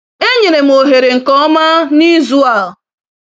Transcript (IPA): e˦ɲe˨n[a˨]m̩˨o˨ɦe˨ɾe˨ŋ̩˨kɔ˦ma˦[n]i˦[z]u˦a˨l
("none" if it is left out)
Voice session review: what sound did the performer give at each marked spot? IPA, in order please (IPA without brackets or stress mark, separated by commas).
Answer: e˨, n, z